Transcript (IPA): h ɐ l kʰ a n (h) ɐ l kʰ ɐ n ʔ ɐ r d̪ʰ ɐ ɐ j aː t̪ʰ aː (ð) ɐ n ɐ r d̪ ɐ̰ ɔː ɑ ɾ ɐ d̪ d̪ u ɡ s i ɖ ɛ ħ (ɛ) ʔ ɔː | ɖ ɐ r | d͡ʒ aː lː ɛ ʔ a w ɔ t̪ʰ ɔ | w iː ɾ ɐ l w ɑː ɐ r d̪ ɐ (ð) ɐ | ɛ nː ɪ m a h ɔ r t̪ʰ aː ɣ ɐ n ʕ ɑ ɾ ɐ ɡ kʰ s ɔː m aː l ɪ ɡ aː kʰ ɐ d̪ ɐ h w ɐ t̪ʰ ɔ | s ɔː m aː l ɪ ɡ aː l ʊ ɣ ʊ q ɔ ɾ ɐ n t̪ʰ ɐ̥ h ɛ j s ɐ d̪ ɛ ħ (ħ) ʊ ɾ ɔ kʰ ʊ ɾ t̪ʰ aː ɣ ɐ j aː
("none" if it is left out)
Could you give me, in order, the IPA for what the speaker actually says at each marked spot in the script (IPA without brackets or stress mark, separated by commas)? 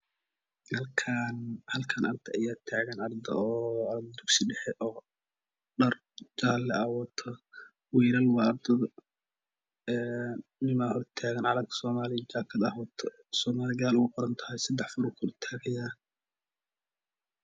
h, ɣ, ɛ, ð, f